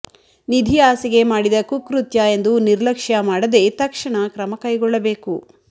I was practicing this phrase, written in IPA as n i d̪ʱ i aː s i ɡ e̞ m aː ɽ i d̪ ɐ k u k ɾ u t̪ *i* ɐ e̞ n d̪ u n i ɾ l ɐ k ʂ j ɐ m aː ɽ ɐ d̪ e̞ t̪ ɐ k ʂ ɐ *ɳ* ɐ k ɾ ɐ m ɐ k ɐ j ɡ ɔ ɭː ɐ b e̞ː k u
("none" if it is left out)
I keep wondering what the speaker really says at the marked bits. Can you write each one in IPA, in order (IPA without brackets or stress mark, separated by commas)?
j, ɳ